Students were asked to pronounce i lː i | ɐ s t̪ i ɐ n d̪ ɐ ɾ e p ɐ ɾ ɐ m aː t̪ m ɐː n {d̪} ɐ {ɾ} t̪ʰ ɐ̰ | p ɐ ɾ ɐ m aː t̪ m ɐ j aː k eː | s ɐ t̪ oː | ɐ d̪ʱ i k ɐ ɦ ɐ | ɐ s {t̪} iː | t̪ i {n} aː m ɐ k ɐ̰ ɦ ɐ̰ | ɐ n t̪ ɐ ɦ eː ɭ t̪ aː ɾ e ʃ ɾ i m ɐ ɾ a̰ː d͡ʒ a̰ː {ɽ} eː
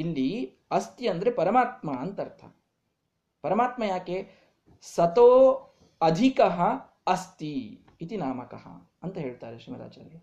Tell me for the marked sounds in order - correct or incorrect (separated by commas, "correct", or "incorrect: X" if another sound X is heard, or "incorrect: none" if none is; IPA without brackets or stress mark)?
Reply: incorrect: t̪, correct, correct, correct, incorrect: ɾ